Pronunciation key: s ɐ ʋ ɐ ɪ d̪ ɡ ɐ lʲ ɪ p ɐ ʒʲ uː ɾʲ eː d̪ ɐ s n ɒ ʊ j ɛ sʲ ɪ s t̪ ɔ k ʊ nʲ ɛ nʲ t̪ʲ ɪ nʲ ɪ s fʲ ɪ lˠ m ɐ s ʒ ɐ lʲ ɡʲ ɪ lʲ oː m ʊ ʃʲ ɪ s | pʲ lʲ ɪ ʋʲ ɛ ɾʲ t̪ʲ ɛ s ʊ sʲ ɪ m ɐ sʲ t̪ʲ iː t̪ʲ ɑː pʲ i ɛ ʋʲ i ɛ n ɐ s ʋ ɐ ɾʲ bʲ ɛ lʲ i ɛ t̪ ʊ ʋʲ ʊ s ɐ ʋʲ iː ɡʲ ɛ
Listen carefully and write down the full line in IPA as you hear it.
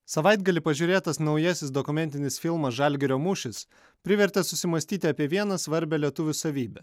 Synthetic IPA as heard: s ɐ ʋ ɐ ɪ d̪ ɡ ɐ lʲ ɪ p ɐ ʒʲ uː ɾʲ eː t̪ ɐ s n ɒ ʊ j ɛ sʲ ɪ s d̪ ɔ k ʊ mʲ ɛ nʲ t̪ʲ ɪ nʲ ɪ s fʲ ɪ lˠ m ɐ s ʒ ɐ lʲ ɡʲ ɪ ɾʲ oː m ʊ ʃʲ ɪ s | pʲ ɾʲ ɪ ʋʲ ɛ ɾʲ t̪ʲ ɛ s ʊ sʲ ɪ m ɐ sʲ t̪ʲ iː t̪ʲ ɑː pʲ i ɛ ʋʲ i ɛ n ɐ s ʋ ɐ ɾʲ bʲ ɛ lʲ i ɛ t̪ ʊ ʋʲ ʊ s ɐ ʋʲ iː bʲ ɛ

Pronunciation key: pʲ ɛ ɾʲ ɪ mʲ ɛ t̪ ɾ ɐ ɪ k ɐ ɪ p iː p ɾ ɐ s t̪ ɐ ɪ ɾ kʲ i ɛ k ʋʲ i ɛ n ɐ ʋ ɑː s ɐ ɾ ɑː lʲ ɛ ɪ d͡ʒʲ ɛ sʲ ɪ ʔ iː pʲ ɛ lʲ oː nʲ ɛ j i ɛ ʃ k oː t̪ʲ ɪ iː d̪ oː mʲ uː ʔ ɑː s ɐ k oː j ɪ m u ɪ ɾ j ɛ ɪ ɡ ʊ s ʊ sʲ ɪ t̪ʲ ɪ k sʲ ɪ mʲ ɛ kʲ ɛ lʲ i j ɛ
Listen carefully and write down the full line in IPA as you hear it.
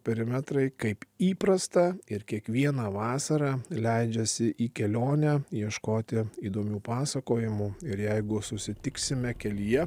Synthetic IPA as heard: pʲ ɛ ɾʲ ɪ mʲ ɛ t̪ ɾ ɐ ɪ k ɐ ɪ p iː p ɾ ɐ s t̪ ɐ ɪ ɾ kʲ i ɛ k ʋʲ i ɛ n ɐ ʋ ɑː s ɐ ɾ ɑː lʲ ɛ ɪ d͡ʒʲ ɛ sʲ ɪ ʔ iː kʲ ɛ lʲ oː nʲ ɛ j i ɛ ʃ k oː t̪ʲ ɪ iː d̪ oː mʲ uː p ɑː s ɐ k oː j ɪ m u ɪ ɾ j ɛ ɪ ɡ ʊ s ʊ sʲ ɪ t̪ʲ ɪ k sʲ ɪ mʲ ɛ kʲ ɛ lʲ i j ɛ

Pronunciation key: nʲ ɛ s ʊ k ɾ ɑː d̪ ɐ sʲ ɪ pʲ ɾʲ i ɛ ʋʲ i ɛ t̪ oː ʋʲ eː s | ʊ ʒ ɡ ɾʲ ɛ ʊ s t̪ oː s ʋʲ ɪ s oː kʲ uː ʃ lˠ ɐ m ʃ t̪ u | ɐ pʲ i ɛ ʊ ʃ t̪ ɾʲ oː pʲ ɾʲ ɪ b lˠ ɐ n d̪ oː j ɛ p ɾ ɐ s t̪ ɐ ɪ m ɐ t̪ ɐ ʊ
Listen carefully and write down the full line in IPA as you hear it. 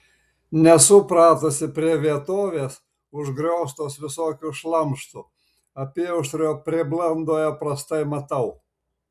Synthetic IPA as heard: nʲ ɛ s ʊ p ɾ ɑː t̪ ɐ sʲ ɪ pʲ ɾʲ i ɛ ʋʲ i ɛ t̪ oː ʋʲ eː s | ʊ ʒ ɡ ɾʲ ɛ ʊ s t̪ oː s ʋʲ ɪ s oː kʲ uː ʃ lˠ ɐ m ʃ t̪ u | ɐ pʲ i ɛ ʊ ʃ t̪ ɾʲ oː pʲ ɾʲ ɪ b lˠ ɐ n d̪ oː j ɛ p ɾ ɐ s t̪ ɐ ɪ m ɐ t̪ ɐ ʊ

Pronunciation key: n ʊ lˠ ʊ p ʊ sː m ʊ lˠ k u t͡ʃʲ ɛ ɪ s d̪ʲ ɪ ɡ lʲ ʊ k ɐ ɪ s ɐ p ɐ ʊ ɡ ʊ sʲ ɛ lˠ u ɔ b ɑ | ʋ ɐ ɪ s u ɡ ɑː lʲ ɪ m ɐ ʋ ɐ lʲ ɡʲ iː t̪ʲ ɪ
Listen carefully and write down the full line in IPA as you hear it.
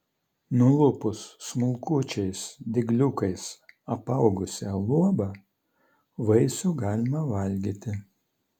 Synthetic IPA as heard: n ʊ lˠ ʊ p ʊ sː m ʊ lˠ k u t͡ʃʲ ɛ ɪ s d̪ʲ ɪ ɡ lʲ ʊ k ɐ ɪ s ɐ p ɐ ʊ ɡ ʊ sʲ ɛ lˠ u ɔ b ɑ | ʋ ɐ ɪ s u ɡ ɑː lʲ ɪ m ɐ ʋ ɐ lʲ ɡʲ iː t̪ʲ ɪ

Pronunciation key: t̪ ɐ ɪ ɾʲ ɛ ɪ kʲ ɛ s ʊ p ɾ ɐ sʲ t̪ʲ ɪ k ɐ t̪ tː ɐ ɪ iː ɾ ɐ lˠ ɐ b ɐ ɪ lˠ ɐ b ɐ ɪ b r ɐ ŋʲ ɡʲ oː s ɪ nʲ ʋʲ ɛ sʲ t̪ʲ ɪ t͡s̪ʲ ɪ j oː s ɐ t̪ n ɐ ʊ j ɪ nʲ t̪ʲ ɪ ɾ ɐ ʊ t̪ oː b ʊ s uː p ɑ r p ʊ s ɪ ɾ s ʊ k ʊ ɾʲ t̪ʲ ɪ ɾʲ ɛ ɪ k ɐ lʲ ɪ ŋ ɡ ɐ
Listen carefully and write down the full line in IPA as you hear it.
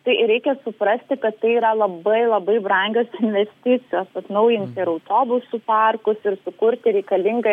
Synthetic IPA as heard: t̪ ɐ ɪ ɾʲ ɛ ɪ kʲ ɛ s ʊ p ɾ ɐ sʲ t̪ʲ ɪ k ɐ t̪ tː ɐ ɪ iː ɾ ɐ lˠ ɐ b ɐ ɪ lˠ ɐ b ɐ ɪ b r ɐ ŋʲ ɡʲ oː s ɪ nʲ ʋʲ ɛ sʲ t̪ʲ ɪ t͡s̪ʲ ɪ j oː s ɐ t̪ n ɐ ʊ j ɪ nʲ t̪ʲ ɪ ɾ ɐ ʊ t̪ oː b ʊ s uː p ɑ r k ʊ s ɪ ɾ s ʊ k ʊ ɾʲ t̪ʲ ɪ ɾʲ ɛ ɪ k ɐ lʲ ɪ ŋ ɡ ɐ

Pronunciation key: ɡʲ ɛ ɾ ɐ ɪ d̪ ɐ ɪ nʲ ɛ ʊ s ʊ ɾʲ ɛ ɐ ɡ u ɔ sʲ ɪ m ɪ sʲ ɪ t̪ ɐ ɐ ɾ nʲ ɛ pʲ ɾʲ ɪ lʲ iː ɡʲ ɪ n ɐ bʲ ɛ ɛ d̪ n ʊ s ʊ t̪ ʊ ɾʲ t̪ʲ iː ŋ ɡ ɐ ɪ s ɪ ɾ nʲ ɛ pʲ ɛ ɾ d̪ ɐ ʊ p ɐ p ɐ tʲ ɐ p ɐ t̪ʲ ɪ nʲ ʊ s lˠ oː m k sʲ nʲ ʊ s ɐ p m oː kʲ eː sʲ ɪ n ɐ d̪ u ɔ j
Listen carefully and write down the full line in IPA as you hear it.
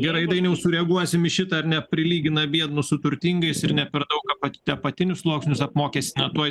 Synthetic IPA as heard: ɡʲ ɛ ɾ ɐ ɪ d̪ ɐ ɪ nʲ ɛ ʊ s ʊ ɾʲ ɛ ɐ ɡ u ɔ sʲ ɪ m ɪ ʃʲ ɪ t̪ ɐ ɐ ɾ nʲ ɛ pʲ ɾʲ ɪ lʲ iː ɡʲ ɪ n ɐ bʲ i ɛ d̪ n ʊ s ʊ t̪ ʊ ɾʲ t̪ʲ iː ŋ ɡ ɐ ɪ s ɪ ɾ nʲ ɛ pʲ ɛ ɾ d̪ ɐ ʊ k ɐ p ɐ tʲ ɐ p ɐ t̪ʲ ɪ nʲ ʊ s lˠ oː k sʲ nʲ ʊ s ɐ p m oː kʲ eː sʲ ɪ n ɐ t̪ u ɔ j

